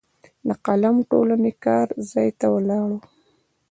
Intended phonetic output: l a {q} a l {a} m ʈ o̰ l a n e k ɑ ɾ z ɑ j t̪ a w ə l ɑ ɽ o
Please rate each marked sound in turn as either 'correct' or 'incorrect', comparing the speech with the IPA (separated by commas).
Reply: correct, correct